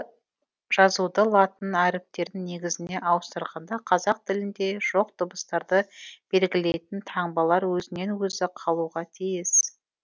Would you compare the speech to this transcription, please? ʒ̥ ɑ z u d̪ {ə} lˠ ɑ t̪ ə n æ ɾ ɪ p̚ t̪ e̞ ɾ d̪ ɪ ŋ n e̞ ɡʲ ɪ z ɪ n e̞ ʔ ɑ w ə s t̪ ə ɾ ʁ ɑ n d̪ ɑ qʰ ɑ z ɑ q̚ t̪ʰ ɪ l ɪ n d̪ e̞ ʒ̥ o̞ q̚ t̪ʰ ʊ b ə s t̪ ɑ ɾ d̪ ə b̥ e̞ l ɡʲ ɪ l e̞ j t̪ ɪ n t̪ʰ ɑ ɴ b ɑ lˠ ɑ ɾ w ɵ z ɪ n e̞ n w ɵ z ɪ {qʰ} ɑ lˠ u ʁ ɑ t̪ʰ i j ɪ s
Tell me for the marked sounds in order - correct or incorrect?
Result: correct, correct

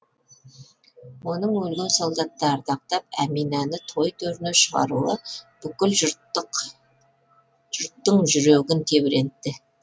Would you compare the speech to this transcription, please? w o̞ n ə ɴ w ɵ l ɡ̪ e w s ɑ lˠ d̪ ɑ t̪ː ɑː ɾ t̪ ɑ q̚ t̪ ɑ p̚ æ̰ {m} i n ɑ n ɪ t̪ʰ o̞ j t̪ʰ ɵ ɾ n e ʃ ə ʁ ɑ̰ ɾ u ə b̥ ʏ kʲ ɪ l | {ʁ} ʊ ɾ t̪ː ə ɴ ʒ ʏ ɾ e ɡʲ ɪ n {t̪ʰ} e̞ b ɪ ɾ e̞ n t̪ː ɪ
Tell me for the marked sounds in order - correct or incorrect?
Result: correct, incorrect: ʒ, correct

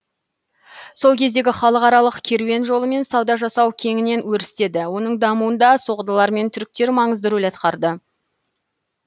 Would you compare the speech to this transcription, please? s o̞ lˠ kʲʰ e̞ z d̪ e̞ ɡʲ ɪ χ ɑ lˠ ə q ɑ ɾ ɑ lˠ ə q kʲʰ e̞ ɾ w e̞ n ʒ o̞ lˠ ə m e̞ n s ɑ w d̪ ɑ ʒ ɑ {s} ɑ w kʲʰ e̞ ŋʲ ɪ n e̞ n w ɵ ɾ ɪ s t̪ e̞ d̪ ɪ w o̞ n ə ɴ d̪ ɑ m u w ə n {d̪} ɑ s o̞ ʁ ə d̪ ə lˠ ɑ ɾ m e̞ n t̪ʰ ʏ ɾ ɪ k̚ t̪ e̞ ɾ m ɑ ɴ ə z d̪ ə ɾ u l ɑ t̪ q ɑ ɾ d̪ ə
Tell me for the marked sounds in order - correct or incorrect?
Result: correct, correct

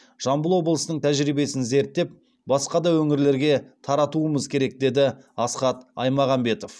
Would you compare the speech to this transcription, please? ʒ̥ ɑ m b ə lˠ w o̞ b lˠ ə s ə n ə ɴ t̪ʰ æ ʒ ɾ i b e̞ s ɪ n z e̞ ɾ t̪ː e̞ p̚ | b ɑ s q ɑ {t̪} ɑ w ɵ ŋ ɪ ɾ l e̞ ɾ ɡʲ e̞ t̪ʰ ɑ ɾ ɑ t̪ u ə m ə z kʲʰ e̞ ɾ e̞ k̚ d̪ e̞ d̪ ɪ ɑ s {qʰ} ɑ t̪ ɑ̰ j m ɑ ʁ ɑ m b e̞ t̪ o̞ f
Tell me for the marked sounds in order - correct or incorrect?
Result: incorrect: d̪, incorrect: q

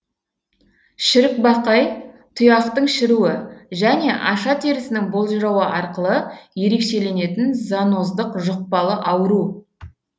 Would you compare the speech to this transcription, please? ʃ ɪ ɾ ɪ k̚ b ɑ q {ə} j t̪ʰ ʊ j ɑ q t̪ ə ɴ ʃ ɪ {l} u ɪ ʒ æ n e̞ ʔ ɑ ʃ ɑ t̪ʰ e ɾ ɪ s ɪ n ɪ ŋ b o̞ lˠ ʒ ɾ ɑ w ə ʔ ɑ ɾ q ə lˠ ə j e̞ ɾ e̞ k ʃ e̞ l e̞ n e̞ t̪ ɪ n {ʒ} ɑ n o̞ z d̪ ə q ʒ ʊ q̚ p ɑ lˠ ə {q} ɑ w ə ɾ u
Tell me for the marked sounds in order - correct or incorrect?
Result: incorrect: ɑ, incorrect: ɾ, incorrect: z, incorrect: ʔ

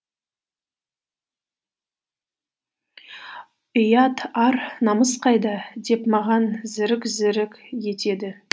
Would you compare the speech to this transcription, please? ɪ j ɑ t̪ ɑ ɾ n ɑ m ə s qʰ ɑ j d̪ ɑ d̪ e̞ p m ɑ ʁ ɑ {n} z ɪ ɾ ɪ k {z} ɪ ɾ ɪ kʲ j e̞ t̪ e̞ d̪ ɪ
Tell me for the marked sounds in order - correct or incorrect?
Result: correct, correct

